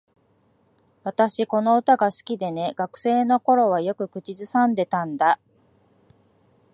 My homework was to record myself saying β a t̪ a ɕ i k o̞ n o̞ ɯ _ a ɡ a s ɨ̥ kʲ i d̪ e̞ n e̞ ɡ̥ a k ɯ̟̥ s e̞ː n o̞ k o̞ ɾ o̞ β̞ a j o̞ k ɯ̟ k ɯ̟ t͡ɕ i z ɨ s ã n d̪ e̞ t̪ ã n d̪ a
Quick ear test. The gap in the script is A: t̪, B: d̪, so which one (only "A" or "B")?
A